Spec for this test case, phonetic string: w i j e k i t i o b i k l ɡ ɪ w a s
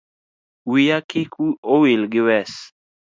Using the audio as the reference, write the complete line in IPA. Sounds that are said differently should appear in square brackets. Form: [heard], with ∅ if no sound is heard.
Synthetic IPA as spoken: w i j [a] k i [k] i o [w] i [∅] l ɡ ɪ w [ɛ] s

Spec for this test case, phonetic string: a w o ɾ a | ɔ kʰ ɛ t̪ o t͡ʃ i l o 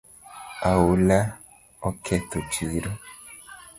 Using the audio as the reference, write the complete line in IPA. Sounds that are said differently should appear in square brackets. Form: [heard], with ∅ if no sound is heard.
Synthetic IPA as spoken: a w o [l] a | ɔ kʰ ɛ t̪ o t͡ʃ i [ɾ] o

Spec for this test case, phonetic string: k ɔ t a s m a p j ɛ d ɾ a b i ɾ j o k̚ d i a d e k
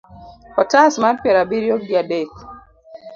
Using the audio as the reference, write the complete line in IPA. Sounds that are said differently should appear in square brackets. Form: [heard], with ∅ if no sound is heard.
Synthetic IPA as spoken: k ɔ t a s m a p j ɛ [∅] ɾ a b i ɾ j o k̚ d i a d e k

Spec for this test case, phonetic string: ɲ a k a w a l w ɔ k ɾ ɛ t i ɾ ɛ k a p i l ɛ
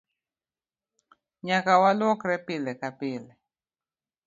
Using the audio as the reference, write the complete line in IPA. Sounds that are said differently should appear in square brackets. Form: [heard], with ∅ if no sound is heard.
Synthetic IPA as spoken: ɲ a k a w a l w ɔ k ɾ ɛ [p] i [l] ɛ k a p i l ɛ

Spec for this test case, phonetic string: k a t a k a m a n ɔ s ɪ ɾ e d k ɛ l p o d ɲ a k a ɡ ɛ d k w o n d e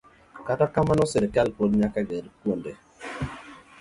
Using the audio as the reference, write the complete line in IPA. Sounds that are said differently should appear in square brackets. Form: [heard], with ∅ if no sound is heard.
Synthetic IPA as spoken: k a t a k a m a n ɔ s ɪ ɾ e [∅] k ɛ l p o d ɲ a k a ɡ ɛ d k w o n d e

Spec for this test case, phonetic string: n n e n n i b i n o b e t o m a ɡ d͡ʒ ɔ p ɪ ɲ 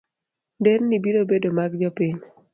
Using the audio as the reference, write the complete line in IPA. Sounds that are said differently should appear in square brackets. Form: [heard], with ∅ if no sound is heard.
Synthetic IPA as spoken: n [d] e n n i b i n o b e [d] o m a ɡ d͡ʒ ɔ p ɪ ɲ

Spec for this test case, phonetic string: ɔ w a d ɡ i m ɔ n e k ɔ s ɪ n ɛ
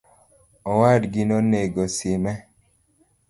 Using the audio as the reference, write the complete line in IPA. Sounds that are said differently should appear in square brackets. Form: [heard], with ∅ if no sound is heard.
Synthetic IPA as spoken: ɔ w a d ɡ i [n] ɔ n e [ɡ] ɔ s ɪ [m] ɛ

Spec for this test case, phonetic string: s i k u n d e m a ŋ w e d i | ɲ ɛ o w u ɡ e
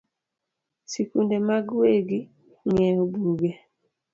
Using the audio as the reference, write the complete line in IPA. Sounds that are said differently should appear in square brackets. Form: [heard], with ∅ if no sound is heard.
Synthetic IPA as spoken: s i k u n d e m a [ɡ] w e [ɡ] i | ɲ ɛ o [b] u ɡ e

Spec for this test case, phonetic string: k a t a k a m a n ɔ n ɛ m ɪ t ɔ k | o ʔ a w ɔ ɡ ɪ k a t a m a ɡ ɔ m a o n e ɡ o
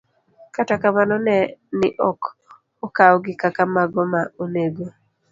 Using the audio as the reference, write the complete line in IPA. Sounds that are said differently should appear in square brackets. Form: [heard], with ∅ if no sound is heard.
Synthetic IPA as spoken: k a t a k a m a n ɔ n ɛ [n] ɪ [ʔ] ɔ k | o [k] a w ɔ ɡ ɪ k a [k] a m a ɡ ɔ m a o n e ɡ o

